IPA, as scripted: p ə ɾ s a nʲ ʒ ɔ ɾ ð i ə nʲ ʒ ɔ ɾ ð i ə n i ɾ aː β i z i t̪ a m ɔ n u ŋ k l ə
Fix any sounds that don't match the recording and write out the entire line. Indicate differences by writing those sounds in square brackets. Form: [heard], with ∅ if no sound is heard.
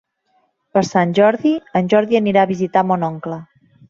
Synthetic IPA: p ə ɾ s a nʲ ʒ ɔ ɾ ð i ə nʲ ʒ ɔ ɾ ð i ə n i ɾ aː β i z i t̪ a m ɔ n [ɔ] ŋ k l ə